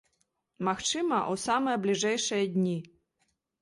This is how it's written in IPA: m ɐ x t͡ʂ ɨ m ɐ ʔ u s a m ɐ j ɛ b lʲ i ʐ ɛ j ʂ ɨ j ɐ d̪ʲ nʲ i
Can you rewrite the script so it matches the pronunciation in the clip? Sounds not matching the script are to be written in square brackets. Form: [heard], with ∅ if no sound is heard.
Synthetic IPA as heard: m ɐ x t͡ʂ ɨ m ɐ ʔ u s a m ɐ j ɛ b lʲ i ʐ ɛ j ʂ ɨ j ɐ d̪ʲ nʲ i

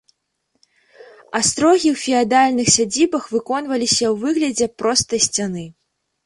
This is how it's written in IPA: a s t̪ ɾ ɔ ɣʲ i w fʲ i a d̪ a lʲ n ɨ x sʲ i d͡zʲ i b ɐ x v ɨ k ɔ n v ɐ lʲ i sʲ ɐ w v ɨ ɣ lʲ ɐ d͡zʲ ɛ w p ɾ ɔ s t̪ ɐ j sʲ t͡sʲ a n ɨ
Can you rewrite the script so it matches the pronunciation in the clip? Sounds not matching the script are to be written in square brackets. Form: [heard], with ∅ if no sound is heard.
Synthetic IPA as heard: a s t̪ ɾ ɔ ɣʲ i w fʲ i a d̪ a lʲ n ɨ x sʲ [a] d͡zʲ i b ɐ x v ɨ k ɔ n v ɐ lʲ i sʲ ɐ w v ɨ ɣ lʲ ɐ d͡zʲ ɛ [∅] p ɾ ɔ s t̪ ɐ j sʲ t͡sʲ a n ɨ

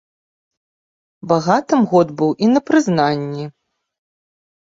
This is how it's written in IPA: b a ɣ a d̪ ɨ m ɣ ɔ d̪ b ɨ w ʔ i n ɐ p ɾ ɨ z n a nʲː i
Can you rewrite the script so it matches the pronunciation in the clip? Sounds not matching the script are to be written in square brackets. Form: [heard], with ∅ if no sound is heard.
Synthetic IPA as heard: b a ɣ a [t̪] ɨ m ɣ ɔ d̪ b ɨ w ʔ i n ɐ p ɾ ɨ z n a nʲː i

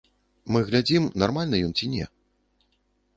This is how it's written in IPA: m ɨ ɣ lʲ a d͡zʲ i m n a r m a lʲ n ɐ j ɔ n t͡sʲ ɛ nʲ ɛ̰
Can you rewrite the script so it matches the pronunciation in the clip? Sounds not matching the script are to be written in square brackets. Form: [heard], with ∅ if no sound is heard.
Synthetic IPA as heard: m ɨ ɣ lʲ a d͡zʲ i m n a r m a lʲ n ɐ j ɔ n t͡sʲ [i] nʲ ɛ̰

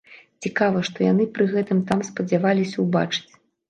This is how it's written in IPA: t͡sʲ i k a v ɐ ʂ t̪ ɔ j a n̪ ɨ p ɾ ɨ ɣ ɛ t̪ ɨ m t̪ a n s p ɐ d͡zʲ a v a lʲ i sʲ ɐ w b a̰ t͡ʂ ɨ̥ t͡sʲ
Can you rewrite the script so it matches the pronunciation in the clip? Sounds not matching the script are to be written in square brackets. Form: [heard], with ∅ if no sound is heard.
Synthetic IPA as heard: t͡sʲ i k a v ɐ ʂ t̪ ɔ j a n̪ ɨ p ɾ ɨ ɣ ɛ t̪ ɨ m t̪ a [m] s p ɐ d͡zʲ a v a lʲ i sʲ ɐ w b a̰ t͡ʂ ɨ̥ t͡sʲ

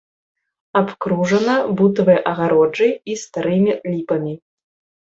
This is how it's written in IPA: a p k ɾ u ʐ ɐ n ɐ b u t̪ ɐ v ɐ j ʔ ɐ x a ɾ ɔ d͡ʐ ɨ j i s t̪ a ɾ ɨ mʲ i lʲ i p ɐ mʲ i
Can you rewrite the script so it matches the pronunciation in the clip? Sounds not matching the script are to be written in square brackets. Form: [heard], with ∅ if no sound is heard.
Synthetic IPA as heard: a p k ɾ u ʐ ɐ n ɐ b u t̪ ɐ v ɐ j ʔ ɐ [ɣ] a ɾ ɔ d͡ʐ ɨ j i s t̪ a ɾ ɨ mʲ i lʲ i p ɐ mʲ i

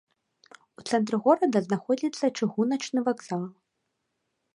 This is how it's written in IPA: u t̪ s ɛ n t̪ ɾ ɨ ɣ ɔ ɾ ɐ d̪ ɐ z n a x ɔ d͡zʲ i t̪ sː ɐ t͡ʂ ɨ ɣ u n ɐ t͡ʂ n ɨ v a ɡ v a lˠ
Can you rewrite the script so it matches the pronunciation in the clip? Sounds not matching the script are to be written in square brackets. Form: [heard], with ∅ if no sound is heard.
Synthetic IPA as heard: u t̪ s ɛ n t̪ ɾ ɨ ɣ ɔ ɾ ɐ d̪ ɐ z n a x ɔ d͡zʲ i t̪ sː ɐ t͡ʂ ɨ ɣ u n ɐ t͡ʂ n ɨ v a ɡ [z] a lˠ

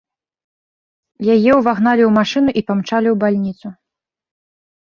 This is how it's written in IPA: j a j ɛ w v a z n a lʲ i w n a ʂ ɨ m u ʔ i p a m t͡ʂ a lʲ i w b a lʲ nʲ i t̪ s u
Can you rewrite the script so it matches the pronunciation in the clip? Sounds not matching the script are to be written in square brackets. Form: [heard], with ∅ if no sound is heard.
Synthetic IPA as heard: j a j ɛ w v a [ɣ] n a lʲ i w [m] a ʂ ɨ [n] u ʔ i p a m t͡ʂ a lʲ i w b a lʲ nʲ i t̪ s u

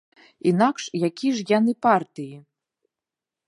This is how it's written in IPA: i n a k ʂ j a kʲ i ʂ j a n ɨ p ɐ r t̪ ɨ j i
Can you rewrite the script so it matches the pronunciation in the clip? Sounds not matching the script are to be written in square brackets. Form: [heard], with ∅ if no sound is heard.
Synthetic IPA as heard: i n a k ʂ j a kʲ i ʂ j a n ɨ p [a] r t̪ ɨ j i

